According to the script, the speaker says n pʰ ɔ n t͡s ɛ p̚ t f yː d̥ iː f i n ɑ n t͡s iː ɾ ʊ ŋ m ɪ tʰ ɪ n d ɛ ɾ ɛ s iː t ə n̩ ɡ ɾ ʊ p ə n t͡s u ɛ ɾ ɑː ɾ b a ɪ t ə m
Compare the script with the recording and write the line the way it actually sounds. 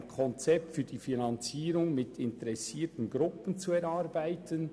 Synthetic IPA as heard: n kʰ ɔ n t͡s ɛ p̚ t f yː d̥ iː f i n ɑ n t͡s iː ɾ ʊ ŋ m ɪ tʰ ɪ n t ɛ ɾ ɛ s iː t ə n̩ ɡ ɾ ʊ p ə n t͡s u ɛ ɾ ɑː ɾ b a ɪ t ə n